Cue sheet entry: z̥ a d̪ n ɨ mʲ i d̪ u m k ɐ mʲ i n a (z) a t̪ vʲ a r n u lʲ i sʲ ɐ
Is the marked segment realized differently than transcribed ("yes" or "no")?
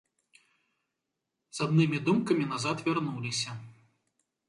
no